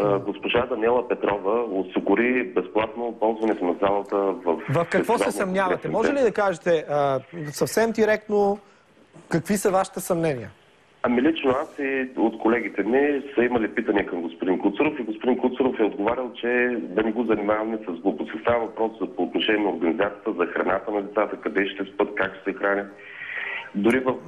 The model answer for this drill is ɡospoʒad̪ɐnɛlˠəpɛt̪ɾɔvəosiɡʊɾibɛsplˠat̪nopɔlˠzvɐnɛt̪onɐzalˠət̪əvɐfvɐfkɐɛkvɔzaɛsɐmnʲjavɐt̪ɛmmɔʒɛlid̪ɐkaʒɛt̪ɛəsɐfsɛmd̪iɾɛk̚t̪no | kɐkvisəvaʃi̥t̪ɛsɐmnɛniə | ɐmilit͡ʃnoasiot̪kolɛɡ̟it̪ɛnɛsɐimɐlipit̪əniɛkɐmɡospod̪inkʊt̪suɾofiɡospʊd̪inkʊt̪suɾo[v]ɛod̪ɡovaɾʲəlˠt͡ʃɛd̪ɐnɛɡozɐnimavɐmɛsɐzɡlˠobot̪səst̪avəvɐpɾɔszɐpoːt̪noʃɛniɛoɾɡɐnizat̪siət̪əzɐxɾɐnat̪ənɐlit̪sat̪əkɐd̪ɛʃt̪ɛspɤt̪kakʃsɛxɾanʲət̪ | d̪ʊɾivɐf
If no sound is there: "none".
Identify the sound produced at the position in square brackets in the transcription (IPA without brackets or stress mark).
f